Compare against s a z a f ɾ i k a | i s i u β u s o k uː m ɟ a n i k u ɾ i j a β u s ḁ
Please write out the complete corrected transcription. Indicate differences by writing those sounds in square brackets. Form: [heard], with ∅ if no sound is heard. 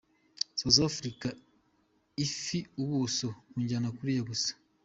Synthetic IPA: s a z a f ɾ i k a | i [f] i u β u s o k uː [ɲ] ɟ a n [a] k u ɾ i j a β u s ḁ